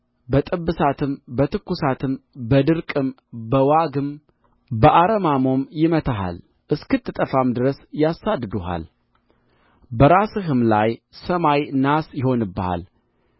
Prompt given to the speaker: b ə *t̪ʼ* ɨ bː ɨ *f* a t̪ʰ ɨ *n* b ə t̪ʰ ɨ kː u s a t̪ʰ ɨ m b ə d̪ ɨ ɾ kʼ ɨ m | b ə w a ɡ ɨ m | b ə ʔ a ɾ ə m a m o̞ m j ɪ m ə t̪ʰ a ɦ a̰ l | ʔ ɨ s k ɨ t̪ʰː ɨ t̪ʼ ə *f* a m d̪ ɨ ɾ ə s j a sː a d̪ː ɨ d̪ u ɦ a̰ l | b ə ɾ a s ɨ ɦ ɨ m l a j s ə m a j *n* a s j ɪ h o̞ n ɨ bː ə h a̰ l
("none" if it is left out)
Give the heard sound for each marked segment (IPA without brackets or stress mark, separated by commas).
t̪ʼ, s, m, f, n